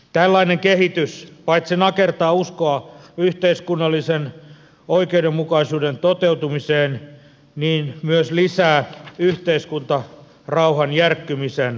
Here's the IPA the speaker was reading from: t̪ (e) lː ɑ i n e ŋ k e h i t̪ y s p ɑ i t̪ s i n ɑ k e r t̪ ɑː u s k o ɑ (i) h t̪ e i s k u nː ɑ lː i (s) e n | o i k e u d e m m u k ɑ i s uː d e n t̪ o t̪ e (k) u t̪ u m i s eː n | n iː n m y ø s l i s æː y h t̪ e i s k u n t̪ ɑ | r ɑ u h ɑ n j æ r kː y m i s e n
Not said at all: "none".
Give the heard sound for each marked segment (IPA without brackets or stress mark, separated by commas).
æ, y, s, none